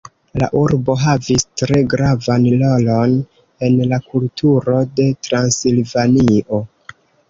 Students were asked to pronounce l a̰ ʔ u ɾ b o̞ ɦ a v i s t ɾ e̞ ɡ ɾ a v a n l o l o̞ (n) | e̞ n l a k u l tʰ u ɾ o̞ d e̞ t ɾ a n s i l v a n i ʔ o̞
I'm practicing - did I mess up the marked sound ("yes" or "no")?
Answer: no